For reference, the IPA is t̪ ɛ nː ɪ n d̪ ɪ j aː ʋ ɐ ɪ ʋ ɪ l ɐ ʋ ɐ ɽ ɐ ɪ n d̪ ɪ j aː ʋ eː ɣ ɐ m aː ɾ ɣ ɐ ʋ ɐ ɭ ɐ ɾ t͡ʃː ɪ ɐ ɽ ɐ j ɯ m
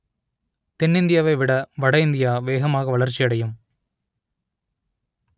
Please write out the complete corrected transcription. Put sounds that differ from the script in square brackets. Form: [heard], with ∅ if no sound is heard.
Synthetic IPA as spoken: t̪ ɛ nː ɪ n d̪ ɪ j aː ʋ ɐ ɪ ʋ ɪ [ɽ] ɐ ʋ ɐ ɽ ɐ ɪ n d̪ ɪ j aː ʋ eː ɣ ɐ m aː [∅] ɣ ɐ ʋ ɐ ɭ ɐ ɾ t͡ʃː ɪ ɐ ɽ ɐ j ɯ m